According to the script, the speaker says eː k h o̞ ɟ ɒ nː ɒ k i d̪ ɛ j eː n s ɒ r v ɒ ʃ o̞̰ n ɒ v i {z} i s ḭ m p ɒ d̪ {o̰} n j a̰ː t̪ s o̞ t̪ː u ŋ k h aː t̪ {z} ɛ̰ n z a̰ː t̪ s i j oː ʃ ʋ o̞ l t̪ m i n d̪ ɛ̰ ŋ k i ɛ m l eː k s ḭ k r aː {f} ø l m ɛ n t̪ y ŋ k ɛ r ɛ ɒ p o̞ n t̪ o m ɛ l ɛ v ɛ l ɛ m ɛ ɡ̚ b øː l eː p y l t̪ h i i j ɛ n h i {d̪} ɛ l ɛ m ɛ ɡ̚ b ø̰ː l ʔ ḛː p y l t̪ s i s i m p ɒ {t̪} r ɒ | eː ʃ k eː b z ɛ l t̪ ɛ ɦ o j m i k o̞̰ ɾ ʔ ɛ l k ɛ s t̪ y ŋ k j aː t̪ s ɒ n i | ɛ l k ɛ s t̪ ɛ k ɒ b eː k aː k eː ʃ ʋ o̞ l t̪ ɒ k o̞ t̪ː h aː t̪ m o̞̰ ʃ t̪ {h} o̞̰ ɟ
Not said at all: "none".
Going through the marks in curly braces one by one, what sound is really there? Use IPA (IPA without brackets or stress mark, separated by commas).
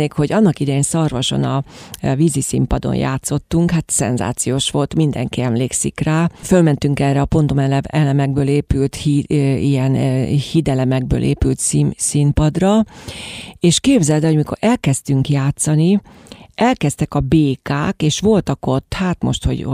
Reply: z, o̰, s, f, d̪, d̪, h